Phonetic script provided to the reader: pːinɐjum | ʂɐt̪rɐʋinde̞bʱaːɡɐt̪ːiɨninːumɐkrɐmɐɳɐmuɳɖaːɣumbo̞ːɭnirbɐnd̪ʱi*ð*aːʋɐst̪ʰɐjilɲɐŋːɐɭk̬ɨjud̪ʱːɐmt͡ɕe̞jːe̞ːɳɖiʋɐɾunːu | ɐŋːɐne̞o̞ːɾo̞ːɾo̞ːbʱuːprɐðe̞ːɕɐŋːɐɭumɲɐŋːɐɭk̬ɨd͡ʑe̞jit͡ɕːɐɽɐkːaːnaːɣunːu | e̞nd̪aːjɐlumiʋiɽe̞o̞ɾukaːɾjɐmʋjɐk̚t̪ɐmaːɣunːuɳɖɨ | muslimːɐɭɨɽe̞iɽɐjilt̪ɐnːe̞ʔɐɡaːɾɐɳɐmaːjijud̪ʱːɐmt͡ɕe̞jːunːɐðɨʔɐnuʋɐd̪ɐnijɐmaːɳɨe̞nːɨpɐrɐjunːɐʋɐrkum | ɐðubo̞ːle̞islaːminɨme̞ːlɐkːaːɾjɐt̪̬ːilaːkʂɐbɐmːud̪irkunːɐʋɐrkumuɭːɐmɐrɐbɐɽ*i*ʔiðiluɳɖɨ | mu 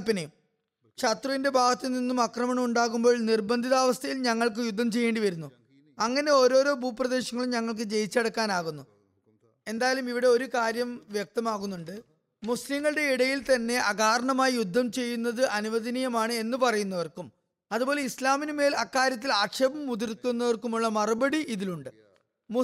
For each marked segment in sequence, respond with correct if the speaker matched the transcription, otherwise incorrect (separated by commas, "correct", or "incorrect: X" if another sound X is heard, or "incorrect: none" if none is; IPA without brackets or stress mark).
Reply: correct, correct